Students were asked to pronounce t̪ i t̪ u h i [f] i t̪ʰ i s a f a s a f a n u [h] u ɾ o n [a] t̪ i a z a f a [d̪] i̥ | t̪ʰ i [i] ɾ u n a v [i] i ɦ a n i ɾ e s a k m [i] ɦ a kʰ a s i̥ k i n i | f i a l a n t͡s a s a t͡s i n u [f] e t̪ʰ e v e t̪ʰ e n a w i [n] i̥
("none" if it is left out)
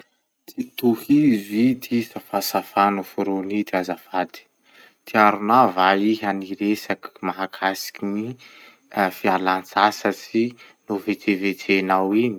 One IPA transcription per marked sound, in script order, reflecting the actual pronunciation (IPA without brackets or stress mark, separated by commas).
v, f, i, d̪, a, a, a, v, n